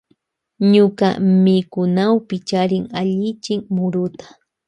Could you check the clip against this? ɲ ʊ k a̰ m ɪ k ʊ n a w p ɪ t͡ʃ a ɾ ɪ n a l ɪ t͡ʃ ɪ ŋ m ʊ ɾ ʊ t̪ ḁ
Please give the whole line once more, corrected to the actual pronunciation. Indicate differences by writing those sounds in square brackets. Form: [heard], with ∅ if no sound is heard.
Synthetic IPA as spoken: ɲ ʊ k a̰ m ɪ k ʊ n a w p ɪ t͡ʃ a ɾ ɪ [ŋ] a [ʎ] ɪ t͡ʃ ɪ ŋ m ʊ ɾ ʊ t̪ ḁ